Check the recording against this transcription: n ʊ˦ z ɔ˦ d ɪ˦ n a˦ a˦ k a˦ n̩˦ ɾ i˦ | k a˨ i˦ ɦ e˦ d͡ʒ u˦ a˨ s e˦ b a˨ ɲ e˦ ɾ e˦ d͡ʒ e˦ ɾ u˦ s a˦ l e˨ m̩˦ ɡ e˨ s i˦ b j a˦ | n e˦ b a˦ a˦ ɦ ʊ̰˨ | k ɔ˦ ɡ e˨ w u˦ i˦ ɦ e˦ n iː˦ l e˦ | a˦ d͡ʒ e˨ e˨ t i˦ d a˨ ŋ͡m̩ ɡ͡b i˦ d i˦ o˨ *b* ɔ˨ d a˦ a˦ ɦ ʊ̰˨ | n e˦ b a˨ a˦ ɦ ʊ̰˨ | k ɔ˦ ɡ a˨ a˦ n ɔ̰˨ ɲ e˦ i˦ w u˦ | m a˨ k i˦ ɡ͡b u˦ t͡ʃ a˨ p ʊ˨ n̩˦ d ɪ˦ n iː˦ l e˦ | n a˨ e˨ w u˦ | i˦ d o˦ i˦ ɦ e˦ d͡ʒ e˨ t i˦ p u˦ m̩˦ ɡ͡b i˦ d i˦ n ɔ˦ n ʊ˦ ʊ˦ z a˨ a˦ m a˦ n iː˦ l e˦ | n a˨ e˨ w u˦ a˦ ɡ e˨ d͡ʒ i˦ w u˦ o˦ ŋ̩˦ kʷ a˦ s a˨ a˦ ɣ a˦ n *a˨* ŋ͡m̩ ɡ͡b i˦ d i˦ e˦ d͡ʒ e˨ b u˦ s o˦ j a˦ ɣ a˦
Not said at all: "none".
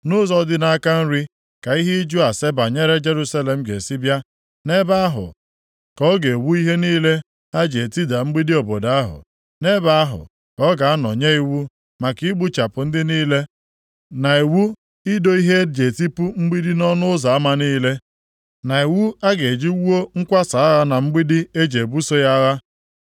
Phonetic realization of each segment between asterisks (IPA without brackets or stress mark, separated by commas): b, a˨